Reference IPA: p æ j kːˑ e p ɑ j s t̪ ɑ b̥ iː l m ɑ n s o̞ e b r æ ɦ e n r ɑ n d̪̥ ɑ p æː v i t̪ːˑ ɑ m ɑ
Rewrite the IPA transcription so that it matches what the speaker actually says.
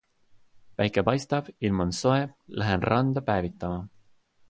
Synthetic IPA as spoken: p æ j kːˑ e p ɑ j s t̪ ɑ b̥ i l m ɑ n s o̞ e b l æ ɦ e n r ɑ n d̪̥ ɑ p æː v i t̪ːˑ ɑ m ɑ